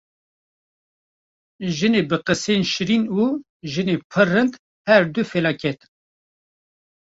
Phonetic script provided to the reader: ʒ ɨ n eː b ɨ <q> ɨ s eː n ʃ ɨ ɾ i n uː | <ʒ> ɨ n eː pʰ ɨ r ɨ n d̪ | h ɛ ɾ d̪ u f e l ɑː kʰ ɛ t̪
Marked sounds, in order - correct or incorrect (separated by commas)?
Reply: correct, correct